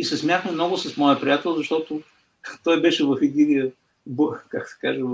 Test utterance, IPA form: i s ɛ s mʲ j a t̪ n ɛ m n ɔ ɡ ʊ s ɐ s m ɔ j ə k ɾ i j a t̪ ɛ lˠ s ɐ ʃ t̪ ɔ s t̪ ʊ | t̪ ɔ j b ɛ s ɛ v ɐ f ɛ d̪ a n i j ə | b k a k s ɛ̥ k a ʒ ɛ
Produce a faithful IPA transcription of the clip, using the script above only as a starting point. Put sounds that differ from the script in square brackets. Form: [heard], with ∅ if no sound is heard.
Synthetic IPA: i s ɛ s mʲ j a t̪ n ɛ m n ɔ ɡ ʊ s ɐ s m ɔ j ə [p] ɾ i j a t̪ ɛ lˠ [z] ɐ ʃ t̪ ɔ [∅] t̪ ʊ | t̪ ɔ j b ɛ [ʃ] ɛ v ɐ f ɛ d̪ [i] n i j ə | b k a k s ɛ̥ k a ʒ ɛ